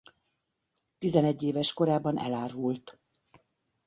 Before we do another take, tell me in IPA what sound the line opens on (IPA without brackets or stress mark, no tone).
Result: t̪